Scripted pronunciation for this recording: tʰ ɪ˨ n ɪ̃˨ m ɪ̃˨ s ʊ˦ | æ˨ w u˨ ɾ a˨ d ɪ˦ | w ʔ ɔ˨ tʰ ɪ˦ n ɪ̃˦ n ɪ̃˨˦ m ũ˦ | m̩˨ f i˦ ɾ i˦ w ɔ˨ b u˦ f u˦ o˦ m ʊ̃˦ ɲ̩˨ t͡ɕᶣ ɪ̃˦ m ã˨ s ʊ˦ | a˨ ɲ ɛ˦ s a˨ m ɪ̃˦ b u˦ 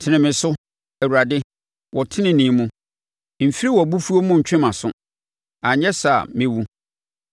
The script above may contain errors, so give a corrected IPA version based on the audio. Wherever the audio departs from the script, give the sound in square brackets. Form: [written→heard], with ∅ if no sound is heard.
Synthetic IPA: tʰ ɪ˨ n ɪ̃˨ m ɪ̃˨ s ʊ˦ | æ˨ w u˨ ɾ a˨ d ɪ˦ | w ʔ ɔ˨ tʰ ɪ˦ n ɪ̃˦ n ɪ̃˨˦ m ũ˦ | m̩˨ f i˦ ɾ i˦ w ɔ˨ b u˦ f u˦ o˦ m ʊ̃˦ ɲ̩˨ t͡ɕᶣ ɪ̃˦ m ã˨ s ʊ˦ | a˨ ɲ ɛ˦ s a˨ m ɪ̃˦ [b→w] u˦